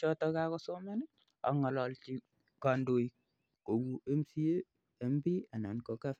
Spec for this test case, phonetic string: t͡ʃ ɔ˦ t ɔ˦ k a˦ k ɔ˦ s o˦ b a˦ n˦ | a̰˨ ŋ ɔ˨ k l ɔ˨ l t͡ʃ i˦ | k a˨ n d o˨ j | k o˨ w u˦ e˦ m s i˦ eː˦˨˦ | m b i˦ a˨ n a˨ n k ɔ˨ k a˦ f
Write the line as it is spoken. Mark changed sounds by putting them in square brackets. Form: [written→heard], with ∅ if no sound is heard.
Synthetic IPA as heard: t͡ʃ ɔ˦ t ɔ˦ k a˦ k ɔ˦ s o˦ [b→m] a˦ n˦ | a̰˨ ŋ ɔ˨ [k→∅] l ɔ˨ l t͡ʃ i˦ | k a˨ n d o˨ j | k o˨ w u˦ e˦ m s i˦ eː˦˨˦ | m b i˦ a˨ n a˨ n k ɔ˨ k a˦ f